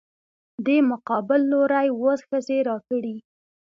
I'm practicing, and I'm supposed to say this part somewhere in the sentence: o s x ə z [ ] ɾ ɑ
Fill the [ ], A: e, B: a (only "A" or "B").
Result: A